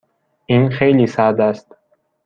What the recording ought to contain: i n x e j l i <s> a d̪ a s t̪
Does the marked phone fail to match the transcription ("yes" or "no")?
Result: no